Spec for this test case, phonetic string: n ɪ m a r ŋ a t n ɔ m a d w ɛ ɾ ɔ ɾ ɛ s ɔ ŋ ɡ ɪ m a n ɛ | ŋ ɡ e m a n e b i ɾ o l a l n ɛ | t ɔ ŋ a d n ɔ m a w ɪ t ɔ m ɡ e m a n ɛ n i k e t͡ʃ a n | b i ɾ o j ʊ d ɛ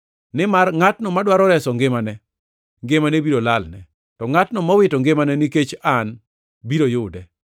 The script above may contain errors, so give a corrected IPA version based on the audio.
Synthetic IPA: n ɪ m a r ŋ a t n ɔ m a d w a ɾ ɔ ɾ ɛ s ɔ ŋ ɡ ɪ m a n ɛ | ŋ ɡ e m a n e b i ɾ o l a l n ɛ | t ɔ ŋ a t n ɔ m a w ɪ t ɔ ŋ ɡ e m a n ɛ n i k e t͡ʃ a n | b i ɾ o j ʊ d ɛ

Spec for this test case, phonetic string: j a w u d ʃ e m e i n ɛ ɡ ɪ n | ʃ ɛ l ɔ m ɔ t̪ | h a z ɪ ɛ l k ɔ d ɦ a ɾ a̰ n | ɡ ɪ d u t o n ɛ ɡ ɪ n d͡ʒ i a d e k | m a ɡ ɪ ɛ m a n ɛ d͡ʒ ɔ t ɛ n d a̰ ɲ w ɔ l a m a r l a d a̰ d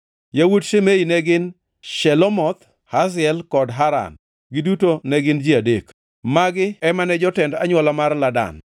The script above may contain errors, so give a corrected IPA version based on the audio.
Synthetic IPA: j a w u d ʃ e m e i n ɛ ɡ ɪ n | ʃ ɛ l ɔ m ɔ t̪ | h a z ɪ ɛ l k ɔ d ɦ a ɾ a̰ n | ɡ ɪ d u t o n ɛ ɡ ɪ n d͡ʒ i a d e k | m a ɡ ɪ ɛ m a n ɛ d͡ʒ ɔ t ɛ n d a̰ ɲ w ɔ l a m a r l a d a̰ n

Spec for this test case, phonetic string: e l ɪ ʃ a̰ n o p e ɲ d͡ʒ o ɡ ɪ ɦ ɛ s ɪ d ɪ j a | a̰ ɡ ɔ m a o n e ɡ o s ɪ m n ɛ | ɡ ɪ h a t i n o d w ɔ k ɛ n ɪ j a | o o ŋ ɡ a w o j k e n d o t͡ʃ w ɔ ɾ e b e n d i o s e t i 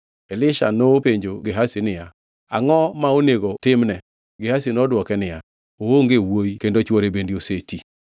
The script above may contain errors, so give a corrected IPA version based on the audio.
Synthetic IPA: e l ɪ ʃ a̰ n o p e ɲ d͡ʒ o ɡ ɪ ɦ a s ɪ n ɪ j a | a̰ ŋ ɔ m a o n e ɡ o t ɪ m n ɛ | ɡ ɪ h a s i n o d w ɔ k ɛ n ɪ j a | o o ŋ ɡ e w o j k e n d o t͡ʃ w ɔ ɾ e b e n d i o s e t i

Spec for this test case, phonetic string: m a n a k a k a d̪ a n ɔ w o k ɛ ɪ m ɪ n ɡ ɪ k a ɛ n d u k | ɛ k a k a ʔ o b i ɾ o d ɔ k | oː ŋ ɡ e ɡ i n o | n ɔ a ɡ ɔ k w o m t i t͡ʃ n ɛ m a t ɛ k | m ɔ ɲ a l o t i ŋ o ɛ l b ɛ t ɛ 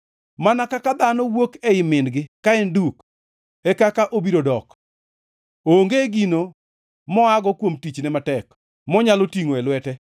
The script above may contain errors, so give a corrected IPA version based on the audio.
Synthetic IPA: m a n a k a k a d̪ a n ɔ w o k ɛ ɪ m ɪ n ɡ ɪ k a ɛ n d u k | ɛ k a k a ʔ o b i ɾ o d ɔ k | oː ŋ ɡ e ɡ i n o | m ɔ a ɡ ɔ k w o m t i t͡ʃ n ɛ m a t ɛ k | m ɔ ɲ a l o t i ŋ o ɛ l w ɛ t ɛ

